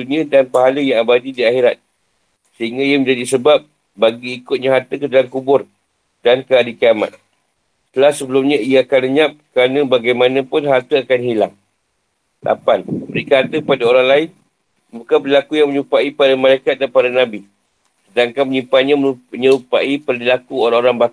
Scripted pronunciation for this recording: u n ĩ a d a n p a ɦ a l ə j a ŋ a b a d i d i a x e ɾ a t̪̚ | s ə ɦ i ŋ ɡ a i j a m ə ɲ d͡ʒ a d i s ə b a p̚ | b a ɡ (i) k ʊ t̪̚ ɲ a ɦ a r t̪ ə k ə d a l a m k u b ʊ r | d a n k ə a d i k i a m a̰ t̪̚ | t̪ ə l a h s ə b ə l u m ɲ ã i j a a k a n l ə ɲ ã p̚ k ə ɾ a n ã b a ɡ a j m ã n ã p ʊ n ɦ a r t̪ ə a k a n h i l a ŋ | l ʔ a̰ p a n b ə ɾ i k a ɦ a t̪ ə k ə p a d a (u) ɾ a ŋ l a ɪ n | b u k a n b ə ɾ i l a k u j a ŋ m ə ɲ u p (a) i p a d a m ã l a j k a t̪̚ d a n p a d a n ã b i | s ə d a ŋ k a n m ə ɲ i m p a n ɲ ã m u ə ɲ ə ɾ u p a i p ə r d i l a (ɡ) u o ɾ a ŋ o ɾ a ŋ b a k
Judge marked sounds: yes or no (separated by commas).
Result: no, no, yes, no